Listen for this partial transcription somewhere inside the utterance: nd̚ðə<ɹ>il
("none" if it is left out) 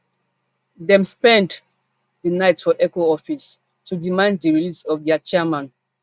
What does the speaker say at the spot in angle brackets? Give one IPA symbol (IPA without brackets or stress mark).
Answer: ɹ